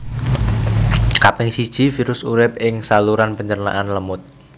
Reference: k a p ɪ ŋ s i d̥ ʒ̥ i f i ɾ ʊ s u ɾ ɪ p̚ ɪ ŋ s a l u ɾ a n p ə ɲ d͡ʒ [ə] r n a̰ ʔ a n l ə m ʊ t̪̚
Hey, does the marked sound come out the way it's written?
yes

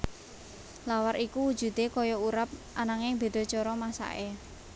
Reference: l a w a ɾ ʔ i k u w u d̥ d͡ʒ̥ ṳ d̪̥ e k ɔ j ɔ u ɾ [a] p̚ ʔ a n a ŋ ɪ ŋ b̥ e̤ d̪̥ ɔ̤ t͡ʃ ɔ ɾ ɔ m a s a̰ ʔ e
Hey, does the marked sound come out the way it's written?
yes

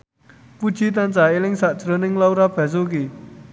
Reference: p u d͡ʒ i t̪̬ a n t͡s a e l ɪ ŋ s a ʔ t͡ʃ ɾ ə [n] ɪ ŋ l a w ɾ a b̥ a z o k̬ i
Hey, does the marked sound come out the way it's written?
yes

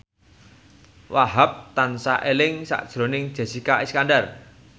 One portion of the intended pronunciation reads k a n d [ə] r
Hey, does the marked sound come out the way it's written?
no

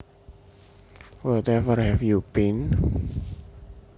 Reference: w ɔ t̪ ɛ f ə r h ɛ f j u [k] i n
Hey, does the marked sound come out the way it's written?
no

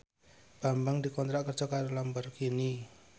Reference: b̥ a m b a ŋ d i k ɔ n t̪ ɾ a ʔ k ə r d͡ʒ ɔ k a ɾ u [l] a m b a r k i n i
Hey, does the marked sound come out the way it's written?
yes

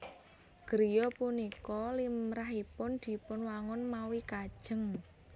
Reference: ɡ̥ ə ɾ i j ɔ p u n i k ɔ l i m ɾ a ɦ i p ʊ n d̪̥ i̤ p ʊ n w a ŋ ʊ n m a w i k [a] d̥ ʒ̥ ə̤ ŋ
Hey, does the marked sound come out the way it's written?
yes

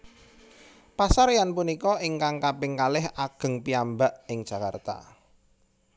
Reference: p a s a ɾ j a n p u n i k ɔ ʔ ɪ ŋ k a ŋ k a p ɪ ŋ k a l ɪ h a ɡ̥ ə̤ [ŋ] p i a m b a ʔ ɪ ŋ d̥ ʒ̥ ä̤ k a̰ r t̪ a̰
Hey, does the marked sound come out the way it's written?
yes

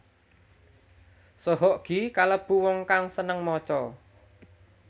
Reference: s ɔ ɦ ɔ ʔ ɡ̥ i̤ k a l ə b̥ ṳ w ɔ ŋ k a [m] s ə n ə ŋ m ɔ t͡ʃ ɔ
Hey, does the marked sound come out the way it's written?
no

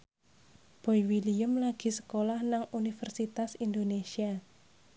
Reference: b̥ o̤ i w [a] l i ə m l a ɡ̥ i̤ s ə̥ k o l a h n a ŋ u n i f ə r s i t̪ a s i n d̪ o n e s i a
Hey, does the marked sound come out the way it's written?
no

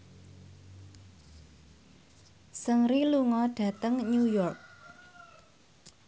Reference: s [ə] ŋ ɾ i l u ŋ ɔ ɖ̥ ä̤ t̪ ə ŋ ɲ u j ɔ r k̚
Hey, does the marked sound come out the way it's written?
yes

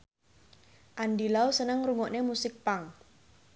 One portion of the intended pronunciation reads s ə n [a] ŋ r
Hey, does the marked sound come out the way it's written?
no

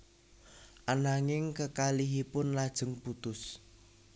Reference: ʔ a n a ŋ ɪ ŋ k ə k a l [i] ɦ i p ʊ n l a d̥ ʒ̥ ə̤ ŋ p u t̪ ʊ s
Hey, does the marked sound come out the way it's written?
yes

